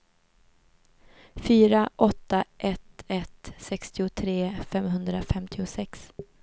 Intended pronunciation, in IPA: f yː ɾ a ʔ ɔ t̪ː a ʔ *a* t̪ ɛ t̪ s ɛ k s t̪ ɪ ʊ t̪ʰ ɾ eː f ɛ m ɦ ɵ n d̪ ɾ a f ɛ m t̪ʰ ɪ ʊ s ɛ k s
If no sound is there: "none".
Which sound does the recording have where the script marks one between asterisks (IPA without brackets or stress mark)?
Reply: ɛ